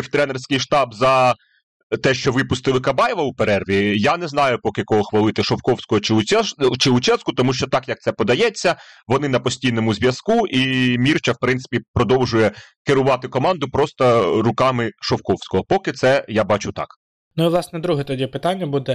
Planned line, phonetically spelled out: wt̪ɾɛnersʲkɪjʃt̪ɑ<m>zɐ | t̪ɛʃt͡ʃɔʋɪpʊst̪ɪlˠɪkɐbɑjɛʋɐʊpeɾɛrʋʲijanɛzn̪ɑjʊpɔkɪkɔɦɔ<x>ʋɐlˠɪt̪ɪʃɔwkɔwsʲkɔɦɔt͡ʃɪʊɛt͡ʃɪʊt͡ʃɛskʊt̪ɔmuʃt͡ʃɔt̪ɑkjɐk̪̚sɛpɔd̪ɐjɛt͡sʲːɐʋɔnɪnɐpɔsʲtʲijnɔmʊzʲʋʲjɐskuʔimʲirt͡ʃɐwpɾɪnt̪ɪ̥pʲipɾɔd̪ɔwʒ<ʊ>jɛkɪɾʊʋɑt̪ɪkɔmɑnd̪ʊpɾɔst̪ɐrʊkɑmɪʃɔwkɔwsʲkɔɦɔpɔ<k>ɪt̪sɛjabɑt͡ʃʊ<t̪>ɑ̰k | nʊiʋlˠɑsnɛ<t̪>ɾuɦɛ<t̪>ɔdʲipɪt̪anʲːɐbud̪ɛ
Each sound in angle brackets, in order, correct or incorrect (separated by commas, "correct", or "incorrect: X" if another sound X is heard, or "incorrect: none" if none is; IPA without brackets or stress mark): incorrect: b, correct, correct, correct, correct, incorrect: d̪, correct